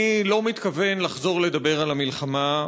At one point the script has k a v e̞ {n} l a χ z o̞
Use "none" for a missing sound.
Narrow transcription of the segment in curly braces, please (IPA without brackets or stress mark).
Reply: n